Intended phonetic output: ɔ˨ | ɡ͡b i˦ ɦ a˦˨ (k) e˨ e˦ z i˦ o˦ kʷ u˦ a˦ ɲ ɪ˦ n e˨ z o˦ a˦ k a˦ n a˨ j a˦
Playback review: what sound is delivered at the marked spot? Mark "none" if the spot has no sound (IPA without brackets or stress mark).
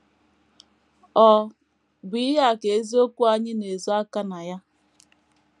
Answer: k